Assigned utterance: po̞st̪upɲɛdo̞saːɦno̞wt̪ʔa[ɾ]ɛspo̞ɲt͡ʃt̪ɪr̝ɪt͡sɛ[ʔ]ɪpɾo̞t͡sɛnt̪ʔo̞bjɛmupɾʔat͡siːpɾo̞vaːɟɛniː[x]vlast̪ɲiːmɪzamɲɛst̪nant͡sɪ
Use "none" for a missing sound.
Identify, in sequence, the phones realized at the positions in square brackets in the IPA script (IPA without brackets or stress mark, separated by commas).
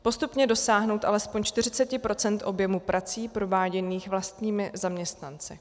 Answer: l, c, x